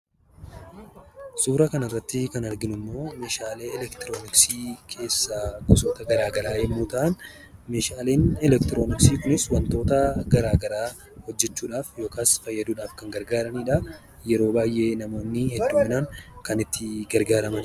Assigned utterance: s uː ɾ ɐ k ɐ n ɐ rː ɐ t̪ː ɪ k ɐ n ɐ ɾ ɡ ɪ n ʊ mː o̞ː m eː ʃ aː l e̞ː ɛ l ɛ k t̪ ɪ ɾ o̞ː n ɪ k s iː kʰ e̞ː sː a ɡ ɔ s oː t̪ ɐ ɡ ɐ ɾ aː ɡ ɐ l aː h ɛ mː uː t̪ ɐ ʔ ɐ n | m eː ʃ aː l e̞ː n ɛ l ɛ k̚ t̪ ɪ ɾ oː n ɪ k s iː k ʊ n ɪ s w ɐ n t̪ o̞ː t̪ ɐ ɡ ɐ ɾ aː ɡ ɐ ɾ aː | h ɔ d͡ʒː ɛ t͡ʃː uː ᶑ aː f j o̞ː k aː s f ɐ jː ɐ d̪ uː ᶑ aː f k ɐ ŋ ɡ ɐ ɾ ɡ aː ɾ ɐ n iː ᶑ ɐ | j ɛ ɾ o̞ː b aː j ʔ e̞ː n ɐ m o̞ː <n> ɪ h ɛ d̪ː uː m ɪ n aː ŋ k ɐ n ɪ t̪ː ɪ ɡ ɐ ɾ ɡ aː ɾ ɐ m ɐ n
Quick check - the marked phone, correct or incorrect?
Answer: incorrect